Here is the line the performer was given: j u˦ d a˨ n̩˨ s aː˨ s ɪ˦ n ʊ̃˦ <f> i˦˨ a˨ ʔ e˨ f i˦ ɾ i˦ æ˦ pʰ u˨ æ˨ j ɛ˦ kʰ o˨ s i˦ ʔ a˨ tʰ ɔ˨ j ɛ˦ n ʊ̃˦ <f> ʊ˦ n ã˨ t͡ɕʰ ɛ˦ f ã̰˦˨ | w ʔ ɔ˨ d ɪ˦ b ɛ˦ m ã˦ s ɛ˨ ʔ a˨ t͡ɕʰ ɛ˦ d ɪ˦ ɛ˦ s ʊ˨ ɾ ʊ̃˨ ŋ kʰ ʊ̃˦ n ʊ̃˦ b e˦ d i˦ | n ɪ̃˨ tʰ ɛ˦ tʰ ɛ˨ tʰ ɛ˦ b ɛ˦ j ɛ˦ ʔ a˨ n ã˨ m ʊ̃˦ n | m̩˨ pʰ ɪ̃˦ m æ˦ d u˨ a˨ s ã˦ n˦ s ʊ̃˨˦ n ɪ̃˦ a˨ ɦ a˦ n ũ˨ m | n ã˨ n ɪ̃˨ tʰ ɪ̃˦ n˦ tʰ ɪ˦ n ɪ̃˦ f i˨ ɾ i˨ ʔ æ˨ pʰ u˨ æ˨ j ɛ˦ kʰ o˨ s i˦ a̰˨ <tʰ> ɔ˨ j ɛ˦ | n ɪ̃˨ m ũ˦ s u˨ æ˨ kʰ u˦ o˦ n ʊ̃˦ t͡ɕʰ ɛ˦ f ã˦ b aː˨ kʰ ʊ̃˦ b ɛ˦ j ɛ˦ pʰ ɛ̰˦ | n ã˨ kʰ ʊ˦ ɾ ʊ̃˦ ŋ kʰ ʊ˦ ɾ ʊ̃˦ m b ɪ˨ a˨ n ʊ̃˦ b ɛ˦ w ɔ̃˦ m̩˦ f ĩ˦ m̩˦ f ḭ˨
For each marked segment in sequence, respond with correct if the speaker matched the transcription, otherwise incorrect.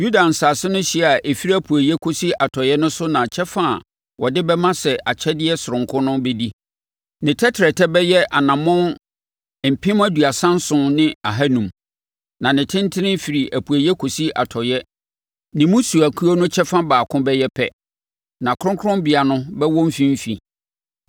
incorrect: ɕ, incorrect: s, correct

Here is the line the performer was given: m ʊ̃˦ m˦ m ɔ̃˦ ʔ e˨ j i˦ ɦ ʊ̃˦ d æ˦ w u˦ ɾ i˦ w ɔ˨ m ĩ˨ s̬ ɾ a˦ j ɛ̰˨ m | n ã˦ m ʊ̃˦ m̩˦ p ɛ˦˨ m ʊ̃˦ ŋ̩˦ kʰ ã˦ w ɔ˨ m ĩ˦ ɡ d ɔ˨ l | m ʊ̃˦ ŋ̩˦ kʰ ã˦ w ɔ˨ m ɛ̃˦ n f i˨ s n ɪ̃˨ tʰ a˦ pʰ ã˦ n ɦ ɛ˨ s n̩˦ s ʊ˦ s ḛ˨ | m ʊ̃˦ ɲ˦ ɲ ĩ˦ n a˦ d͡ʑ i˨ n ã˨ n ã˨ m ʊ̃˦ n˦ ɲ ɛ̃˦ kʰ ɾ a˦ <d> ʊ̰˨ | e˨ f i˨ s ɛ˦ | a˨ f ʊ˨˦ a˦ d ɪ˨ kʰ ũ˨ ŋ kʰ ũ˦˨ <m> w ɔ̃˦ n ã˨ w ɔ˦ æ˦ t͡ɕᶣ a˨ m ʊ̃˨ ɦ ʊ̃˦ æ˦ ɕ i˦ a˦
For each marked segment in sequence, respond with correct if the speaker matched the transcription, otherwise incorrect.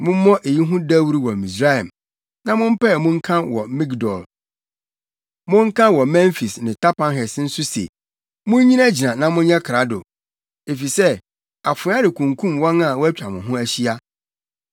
correct, correct

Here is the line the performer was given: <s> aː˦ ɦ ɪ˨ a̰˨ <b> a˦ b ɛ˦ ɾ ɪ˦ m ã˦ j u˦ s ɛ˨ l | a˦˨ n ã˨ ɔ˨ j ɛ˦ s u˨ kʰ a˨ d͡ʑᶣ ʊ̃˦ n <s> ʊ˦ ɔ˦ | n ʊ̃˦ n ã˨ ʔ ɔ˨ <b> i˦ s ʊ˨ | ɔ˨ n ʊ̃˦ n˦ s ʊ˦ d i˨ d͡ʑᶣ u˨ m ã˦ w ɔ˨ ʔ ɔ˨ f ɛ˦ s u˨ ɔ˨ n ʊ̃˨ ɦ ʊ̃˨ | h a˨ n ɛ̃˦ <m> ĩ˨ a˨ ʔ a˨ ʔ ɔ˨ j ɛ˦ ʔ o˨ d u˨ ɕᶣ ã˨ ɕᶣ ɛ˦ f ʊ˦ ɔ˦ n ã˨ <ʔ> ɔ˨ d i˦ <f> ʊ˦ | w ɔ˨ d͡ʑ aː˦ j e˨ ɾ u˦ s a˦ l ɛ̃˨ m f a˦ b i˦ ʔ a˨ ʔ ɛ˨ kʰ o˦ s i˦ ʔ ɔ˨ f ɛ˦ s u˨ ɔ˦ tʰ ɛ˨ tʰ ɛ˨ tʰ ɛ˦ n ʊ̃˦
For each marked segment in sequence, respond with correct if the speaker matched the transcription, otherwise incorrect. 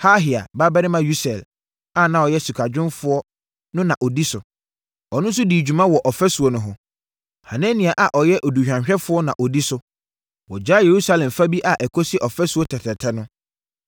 incorrect: h, correct, incorrect: f, incorrect: d, incorrect: n, correct, incorrect: s

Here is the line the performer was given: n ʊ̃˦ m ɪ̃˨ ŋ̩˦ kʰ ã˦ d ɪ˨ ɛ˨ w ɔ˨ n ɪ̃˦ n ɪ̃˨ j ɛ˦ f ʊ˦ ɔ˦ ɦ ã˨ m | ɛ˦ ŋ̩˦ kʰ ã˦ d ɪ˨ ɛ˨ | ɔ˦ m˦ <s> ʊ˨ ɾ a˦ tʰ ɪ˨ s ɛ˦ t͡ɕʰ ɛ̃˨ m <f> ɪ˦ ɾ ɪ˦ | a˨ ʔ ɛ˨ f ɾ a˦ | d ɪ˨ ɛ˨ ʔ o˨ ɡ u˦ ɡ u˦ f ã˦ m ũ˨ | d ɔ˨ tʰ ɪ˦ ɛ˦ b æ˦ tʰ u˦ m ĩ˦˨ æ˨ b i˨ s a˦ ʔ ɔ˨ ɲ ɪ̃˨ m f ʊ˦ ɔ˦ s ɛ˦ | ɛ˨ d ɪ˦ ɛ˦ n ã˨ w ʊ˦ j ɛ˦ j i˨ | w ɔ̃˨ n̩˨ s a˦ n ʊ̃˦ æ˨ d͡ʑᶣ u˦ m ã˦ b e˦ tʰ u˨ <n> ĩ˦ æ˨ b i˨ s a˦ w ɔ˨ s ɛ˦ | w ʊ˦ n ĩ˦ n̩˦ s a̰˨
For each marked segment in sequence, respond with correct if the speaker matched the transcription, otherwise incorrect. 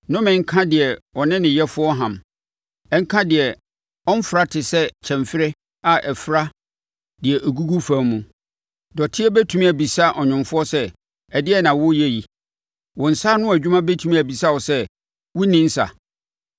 incorrect: f, correct, incorrect: m

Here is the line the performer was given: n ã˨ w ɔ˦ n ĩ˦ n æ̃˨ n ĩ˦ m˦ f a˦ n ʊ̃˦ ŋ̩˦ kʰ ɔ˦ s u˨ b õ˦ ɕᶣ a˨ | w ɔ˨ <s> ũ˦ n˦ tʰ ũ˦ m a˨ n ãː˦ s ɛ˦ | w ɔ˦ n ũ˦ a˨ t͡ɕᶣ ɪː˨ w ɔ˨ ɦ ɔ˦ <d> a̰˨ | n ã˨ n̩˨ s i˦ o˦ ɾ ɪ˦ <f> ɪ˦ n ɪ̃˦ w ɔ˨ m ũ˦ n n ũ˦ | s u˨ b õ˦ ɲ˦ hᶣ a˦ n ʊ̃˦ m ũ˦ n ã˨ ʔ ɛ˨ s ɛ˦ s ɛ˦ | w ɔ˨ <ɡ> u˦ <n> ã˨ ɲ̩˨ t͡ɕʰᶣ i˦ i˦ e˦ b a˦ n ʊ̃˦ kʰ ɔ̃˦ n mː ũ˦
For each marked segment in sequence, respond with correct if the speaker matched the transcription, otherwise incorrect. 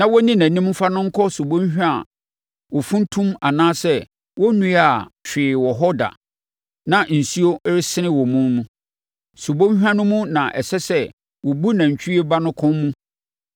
incorrect: f, correct, incorrect: s, incorrect: b, correct

